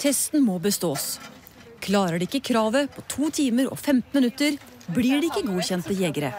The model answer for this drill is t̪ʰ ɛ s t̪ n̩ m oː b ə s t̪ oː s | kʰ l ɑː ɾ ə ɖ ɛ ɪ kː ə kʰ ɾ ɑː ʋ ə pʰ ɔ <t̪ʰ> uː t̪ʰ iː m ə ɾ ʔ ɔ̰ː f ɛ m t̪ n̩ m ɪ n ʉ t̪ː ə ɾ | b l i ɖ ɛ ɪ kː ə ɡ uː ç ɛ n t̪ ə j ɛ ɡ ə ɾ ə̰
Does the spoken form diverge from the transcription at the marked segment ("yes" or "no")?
no